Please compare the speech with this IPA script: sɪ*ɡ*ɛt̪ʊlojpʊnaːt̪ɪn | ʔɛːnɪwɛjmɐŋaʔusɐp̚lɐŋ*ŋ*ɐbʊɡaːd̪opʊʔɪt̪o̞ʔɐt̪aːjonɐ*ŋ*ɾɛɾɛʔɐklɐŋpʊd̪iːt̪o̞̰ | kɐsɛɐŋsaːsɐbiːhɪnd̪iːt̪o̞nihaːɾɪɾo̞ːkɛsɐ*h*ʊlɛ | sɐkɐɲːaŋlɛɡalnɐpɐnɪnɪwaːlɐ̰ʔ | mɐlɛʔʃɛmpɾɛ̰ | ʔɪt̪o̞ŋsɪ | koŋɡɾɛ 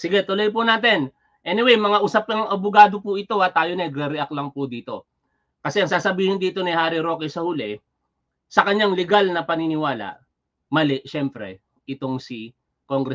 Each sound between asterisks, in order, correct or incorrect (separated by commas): correct, correct, incorrect, correct